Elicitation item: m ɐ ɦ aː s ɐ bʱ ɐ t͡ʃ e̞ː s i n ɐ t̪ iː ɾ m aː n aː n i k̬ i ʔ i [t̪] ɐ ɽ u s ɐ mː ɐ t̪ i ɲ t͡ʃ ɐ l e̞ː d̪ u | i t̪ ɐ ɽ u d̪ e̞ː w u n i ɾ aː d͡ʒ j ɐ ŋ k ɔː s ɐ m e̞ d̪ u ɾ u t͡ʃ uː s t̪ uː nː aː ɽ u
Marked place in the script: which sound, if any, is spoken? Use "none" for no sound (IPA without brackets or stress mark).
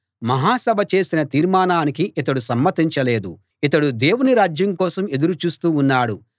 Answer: t̪